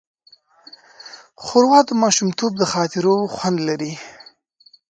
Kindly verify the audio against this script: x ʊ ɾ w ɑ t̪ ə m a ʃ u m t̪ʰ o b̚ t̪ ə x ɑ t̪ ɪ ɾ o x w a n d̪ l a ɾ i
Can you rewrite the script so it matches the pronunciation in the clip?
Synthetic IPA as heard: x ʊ ɾ w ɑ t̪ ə m ɑ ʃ u m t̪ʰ o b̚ d̪ ə x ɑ t̪ ɪ ɾ o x w a n d̪ l a ɾ i

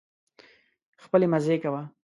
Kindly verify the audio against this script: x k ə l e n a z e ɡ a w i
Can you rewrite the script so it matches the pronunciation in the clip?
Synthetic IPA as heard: x p ə l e m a z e k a w a

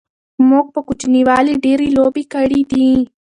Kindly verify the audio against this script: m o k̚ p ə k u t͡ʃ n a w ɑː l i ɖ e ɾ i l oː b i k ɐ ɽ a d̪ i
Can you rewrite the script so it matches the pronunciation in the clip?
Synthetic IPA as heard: m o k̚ p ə k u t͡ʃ n i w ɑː l i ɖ e ɾ i l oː b i k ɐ ɽ i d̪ i

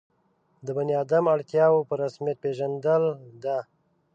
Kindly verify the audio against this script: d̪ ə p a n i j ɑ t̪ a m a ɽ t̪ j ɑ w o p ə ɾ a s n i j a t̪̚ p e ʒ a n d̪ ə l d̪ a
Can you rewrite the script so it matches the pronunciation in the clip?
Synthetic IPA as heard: d̪ ə b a n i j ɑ d̪ a m a ɽ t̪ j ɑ w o p ə ɾ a s m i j a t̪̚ p e ʒ a n d̪ ə l d̪ a

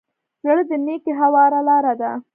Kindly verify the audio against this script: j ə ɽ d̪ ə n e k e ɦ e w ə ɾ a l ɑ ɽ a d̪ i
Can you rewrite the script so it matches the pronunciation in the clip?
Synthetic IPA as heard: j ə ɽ d̪ ə n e k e ɦ a w ɑ ɾ a l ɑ ɾ a d̪ a

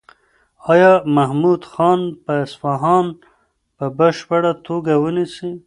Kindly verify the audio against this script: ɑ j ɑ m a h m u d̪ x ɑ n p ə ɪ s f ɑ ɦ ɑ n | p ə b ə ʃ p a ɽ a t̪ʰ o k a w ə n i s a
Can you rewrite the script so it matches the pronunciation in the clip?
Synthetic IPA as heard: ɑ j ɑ m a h m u d̪ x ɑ n p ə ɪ s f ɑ ɦ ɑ n | p ə b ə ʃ p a ɽ a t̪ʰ o ɡ a w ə n i s i

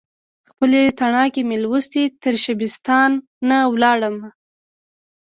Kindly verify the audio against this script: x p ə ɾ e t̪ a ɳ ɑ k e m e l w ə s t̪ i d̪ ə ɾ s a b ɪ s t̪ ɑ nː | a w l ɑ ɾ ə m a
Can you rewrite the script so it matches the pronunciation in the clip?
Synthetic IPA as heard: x p ə l e t̪ a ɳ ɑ k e m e l w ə s t̪ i t̪ ə ɾ ʃ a b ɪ s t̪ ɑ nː | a w l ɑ ɽ ə m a

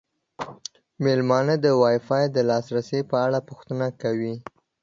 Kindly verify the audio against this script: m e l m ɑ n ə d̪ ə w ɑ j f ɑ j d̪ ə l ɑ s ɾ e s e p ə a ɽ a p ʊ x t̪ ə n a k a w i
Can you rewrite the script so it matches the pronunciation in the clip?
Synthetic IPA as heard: m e l m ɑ n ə d̪ ə w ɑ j f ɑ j d̪ ə l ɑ s ɾ a s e p ə a ɽ a p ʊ x t̪ ə n a k a w i

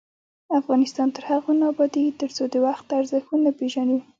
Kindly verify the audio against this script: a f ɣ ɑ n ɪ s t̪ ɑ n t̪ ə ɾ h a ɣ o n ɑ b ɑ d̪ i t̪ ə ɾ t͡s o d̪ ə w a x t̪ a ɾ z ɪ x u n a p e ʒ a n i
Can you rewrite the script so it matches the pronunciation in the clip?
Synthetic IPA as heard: a f ɣ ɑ n ɪ s t̪ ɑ n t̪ ə ɾ h a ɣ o n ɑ b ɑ d̪ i t̪ ə ɾ t͡s o d̪ ə w a x t̪ a ɾ z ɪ x u n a p e ʒ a n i

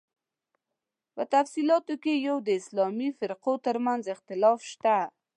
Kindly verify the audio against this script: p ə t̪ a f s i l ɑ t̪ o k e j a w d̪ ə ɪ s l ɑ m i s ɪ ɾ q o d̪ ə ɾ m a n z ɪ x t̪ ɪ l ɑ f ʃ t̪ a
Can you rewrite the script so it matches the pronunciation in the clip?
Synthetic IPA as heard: p ə t̪ a f s i l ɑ t̪ o k e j a w d̪ ə ɪ s l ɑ m i f ɪ ɾ q o t̪ ə ɾ m a n z ɪ x t̪ ɪ l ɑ f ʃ t̪ a

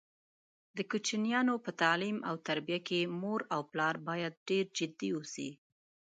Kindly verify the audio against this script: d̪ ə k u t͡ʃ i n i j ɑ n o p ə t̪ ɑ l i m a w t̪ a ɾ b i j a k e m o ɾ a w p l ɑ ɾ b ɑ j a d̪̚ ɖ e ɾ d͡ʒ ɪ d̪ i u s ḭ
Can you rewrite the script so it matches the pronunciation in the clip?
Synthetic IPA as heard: d̪ ə k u t͡ʃ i n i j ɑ n o p ə t̪ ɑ l i m a w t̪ a ɾ b i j a k e m o ɾ a w p l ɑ ɾ b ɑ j a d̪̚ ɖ e ɾ d͡ʒ ɪ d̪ i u s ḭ

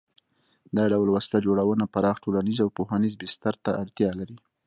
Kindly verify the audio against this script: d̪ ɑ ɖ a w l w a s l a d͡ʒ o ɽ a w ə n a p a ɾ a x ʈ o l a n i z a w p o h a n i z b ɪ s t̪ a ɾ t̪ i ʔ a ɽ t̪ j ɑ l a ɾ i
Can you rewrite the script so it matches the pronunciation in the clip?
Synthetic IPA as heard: d̪ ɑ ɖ a w l w a s l a d͡ʒ o ɽ a w ə n a p a ɾ ɑ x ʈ o l a n i z a w p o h a n i z b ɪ s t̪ a ɾ t̪ a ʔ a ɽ t̪ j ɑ l a ɾ i

